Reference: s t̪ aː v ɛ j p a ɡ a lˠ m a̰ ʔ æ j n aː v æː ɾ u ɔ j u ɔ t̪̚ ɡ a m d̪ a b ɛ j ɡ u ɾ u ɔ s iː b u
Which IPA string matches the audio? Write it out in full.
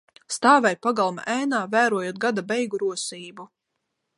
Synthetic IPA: s t̪ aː v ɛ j p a ɡ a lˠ m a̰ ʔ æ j n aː v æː ɾ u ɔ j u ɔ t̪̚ ɡ a d̪ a b ɛ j ɡ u ɾ u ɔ s iː b u